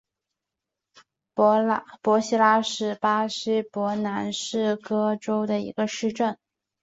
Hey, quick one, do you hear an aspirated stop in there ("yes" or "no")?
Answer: no